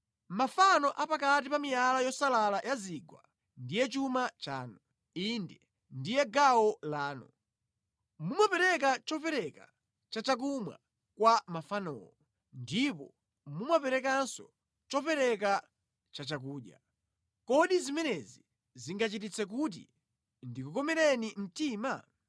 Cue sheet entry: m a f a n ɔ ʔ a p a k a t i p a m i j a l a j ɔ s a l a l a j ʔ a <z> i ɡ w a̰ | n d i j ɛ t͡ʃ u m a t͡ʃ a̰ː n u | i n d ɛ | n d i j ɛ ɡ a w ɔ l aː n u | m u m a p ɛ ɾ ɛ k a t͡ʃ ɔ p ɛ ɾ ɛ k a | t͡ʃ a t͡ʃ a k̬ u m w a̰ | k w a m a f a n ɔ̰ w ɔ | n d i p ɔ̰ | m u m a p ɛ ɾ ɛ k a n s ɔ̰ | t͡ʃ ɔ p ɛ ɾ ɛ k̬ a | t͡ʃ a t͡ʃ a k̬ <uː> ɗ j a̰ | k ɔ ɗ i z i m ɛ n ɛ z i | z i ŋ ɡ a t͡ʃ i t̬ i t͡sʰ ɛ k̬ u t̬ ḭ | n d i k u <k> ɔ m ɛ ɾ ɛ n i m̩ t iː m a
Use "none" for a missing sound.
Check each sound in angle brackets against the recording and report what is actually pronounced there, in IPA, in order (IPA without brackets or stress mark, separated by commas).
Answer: z, uː, k